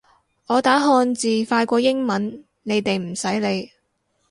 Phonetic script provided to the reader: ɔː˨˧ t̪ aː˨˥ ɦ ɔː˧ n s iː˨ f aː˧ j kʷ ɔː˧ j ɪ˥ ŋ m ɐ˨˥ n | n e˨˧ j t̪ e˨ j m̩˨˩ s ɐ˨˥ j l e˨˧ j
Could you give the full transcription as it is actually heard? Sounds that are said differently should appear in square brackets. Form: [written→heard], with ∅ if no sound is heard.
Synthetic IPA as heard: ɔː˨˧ t̪ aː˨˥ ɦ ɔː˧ n [s→t͡s] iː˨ f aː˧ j kʷ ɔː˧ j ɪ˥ ŋ m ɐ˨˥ n | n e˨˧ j t̪ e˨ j m̩˨˩ s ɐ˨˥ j l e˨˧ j